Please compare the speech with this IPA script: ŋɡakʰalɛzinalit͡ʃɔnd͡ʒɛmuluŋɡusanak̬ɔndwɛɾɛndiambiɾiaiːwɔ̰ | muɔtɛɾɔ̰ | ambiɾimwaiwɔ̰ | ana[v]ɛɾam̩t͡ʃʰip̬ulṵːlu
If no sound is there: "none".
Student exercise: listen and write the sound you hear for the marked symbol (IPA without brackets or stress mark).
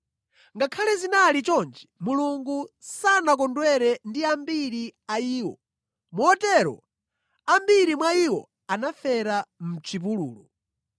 f